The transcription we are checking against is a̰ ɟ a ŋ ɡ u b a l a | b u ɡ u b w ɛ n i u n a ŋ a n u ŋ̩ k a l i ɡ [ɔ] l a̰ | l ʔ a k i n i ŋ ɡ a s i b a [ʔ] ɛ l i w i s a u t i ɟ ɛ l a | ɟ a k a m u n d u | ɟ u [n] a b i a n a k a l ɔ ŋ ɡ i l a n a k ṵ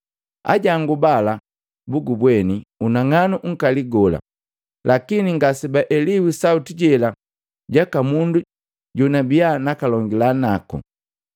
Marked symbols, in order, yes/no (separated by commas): yes, yes, yes